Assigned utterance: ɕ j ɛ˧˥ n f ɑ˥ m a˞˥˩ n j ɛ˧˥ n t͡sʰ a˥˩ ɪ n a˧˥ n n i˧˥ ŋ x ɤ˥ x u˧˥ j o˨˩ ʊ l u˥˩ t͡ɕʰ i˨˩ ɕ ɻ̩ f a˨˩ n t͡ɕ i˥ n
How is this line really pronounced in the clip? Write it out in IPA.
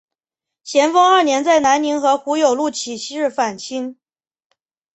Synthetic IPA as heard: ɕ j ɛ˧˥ n f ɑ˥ ŋ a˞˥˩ n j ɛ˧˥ n t͡s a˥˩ ɪ n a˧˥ n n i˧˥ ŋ x ɤ˧˥ x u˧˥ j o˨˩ ʊ l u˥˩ t͡ɕʰ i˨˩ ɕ ɻ̩ f a˨˩ n t͡ɕʰ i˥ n